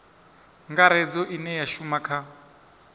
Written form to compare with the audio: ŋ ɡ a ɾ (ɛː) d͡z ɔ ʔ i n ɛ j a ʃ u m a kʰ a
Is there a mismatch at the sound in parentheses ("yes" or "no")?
yes